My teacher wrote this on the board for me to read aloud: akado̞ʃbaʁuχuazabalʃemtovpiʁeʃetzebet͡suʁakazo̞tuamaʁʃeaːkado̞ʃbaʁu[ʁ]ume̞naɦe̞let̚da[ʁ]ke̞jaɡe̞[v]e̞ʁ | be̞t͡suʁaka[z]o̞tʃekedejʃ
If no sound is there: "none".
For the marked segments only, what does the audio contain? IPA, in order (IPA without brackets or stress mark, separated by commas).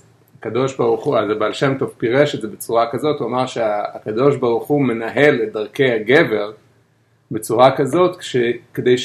χ, ʁ, v, z